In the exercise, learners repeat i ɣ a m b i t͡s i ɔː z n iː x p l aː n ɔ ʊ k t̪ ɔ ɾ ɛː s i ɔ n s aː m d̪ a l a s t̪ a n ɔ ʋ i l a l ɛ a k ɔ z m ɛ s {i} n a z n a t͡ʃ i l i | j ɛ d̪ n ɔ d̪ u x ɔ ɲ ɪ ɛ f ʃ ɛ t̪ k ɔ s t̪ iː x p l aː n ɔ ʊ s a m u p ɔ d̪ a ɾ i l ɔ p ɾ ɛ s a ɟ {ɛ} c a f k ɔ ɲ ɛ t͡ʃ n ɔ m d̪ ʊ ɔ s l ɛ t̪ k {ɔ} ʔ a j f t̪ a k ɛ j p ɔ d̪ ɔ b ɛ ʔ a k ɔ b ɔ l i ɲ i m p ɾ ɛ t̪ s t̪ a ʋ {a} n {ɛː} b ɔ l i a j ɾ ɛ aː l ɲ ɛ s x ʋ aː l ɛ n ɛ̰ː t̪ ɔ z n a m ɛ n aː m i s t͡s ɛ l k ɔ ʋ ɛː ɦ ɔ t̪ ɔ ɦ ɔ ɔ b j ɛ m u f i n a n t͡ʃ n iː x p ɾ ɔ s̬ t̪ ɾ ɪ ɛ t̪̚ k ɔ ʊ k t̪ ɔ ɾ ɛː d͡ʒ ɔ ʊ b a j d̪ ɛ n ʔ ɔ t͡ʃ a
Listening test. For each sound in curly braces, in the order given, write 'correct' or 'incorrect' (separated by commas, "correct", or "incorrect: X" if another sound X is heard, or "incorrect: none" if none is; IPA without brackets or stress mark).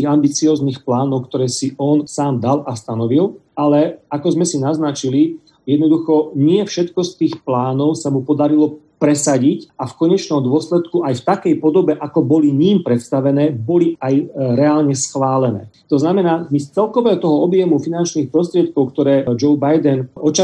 correct, incorrect: i, incorrect: u, incorrect: ɛ, correct